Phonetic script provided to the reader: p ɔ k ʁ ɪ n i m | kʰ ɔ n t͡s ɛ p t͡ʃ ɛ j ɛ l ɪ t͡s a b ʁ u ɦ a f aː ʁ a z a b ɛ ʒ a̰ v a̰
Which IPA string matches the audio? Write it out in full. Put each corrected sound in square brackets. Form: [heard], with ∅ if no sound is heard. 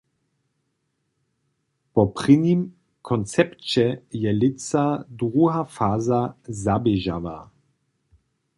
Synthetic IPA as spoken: p ɔ [p] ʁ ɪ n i m | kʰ ɔ n t͡s ɛ p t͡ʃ ɛ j ɛ l ɪ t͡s a [d] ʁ u ɦ a f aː [z] a z a b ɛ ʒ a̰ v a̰